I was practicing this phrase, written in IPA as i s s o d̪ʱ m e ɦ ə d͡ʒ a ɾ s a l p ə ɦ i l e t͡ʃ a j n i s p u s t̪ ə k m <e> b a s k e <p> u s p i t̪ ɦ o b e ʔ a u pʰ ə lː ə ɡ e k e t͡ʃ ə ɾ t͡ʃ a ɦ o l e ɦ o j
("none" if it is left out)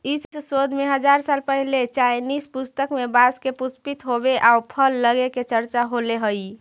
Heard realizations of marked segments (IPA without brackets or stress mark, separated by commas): e, p